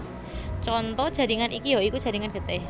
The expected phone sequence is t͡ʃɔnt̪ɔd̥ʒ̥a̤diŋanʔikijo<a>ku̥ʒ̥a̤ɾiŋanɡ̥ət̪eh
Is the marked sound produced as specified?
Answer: no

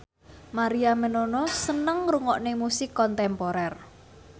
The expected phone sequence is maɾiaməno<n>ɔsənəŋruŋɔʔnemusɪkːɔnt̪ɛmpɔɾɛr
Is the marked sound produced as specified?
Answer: yes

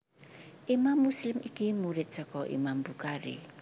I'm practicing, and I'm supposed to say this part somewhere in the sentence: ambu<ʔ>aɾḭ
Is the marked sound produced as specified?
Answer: no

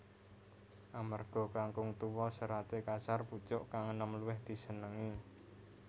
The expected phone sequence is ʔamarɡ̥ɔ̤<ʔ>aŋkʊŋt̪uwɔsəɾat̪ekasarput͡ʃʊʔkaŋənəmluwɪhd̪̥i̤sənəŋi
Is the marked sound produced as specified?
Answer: no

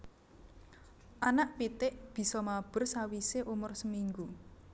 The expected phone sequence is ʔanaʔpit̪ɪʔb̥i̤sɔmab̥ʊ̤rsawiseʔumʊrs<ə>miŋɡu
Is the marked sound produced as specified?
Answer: yes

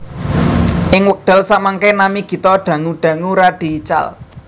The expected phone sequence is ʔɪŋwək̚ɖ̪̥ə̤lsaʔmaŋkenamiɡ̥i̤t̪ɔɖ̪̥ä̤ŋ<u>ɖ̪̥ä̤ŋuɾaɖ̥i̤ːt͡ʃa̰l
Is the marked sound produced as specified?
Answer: yes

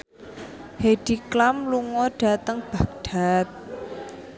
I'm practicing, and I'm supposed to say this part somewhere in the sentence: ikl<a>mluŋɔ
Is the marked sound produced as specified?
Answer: yes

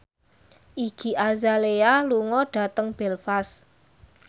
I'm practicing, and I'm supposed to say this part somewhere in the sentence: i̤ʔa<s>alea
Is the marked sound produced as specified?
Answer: no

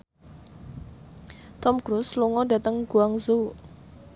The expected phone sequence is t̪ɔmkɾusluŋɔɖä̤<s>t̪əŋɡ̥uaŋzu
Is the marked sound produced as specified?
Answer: no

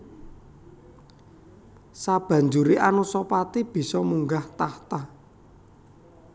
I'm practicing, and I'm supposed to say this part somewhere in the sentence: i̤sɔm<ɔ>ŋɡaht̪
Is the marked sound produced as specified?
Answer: no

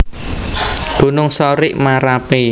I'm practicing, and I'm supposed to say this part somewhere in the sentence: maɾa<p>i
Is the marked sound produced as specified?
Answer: yes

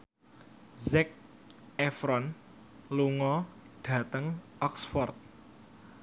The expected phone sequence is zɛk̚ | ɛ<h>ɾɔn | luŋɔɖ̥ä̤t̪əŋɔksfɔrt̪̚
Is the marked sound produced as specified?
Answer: no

